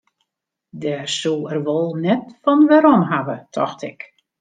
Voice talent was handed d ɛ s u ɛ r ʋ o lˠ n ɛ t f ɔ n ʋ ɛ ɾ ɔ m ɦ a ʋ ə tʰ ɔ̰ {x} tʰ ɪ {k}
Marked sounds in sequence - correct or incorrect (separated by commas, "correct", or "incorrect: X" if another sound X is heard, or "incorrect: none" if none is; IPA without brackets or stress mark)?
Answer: correct, correct